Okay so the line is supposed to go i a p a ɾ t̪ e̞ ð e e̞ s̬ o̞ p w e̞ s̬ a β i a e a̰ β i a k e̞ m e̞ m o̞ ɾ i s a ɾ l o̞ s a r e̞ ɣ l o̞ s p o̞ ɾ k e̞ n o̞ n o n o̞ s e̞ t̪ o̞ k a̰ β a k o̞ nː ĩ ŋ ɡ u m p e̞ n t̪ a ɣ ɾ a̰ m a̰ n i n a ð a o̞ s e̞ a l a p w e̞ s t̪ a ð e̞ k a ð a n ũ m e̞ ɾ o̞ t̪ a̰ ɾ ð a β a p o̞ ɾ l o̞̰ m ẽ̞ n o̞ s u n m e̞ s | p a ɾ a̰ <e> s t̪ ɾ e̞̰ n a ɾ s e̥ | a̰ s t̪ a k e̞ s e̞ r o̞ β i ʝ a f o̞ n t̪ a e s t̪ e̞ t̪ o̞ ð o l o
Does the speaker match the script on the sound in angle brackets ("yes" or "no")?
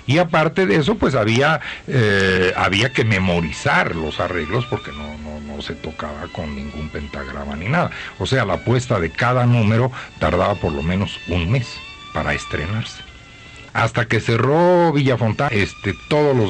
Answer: yes